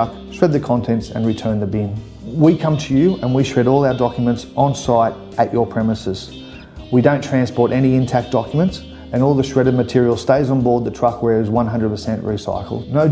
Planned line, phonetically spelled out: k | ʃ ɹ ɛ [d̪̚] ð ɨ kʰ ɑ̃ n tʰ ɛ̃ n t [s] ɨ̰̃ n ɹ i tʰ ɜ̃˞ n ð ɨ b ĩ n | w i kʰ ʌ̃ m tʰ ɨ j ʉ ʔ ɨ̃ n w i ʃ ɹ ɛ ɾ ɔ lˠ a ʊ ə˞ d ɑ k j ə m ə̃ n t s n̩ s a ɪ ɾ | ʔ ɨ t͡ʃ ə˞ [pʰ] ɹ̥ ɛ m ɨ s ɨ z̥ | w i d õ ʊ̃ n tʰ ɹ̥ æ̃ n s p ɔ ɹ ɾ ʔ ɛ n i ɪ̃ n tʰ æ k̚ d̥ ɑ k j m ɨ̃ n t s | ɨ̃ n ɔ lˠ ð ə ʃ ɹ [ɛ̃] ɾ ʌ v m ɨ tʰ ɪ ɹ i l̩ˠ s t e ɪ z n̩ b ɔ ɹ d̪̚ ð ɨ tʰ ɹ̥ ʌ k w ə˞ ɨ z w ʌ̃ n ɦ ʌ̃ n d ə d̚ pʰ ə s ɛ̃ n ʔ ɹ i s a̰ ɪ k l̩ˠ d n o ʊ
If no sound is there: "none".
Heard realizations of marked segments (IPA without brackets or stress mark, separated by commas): d̪̚, s, pʰ, ɛ